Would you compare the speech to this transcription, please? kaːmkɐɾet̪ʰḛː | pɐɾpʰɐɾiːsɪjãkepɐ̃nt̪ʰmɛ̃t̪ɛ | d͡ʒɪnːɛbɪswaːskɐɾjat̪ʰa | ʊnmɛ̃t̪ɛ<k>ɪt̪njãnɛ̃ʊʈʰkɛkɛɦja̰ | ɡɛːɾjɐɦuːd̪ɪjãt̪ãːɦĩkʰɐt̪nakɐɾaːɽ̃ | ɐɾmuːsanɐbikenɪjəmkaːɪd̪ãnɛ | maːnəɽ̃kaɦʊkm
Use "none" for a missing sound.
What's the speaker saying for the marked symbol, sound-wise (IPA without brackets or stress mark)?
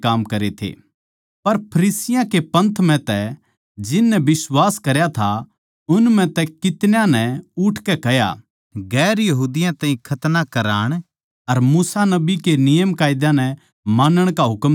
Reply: k